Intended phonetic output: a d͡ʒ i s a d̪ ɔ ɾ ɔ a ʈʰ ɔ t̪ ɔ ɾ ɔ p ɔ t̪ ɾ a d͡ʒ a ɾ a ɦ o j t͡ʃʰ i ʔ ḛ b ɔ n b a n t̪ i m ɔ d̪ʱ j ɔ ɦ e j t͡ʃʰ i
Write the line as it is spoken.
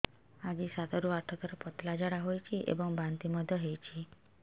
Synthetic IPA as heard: a d͡ʒ i s a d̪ ɔ ɾ u a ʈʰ ɔ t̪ ɔ ɾ ɔ p ɔ t̪ l a d͡ʒ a ɽ a ɦ o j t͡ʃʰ i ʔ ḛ b ɔ ŋ b a n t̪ i m ɔ d̪ʱ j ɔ ɦ e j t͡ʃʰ i

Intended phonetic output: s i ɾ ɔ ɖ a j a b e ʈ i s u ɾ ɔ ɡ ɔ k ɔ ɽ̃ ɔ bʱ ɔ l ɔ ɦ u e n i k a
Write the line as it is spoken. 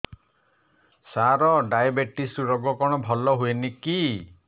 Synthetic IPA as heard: s a ɾ ɔ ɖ a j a b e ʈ i s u ɾ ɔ ɡ ɔ k ɔ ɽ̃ ɔ bʱ ɔ l ɔ ɦ u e n i k i

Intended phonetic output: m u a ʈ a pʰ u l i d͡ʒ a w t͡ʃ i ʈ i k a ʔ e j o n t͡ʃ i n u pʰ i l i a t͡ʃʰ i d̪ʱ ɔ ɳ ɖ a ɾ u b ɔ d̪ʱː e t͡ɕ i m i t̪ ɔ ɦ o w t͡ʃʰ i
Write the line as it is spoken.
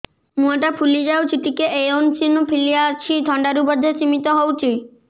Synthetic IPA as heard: m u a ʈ a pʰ u l i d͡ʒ a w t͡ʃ i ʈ i k e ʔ e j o n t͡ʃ i n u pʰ i l i a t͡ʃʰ i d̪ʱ ɔ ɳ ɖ a ɾ u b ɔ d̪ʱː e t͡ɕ i m i t̪ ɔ ɦ o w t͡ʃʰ i

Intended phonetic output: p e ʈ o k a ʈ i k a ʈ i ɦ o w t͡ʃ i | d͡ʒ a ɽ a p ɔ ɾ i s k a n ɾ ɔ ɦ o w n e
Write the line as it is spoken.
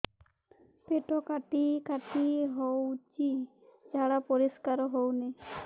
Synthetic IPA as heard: p e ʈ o k a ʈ i k a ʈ i ɦ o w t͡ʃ i | d͡ʒ a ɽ a p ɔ ɾ i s k a ɾ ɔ ɦ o w n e

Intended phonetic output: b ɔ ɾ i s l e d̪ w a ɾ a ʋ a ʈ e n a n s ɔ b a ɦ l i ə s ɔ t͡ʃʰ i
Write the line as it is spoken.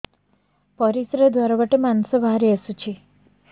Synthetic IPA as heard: p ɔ ɾ i s ɾ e d̪ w a ɾ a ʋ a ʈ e m a n s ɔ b a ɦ ɾ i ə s u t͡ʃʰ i

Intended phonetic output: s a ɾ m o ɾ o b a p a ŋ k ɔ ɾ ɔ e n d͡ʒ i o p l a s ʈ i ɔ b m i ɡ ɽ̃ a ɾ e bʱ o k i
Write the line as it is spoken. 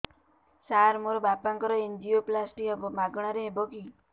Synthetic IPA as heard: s a ɾ m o ɾ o b a p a ŋ k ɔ ɾ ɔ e n d͡ʒ i o p l a s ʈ i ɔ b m a ɡ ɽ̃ a ɾ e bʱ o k i

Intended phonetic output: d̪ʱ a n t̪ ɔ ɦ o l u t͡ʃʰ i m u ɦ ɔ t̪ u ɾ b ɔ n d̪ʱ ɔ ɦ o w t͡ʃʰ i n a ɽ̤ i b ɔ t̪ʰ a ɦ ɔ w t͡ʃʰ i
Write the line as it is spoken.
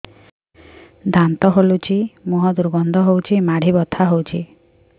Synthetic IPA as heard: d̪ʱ a n t̪ ɔ ɦ o l u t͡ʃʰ i m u ɦ ɔ d̪ u ɾ b ɔ n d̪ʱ ɔ ɦ o w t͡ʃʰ i m a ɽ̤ i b ɔ t̪ʰ a ɦ o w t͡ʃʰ i

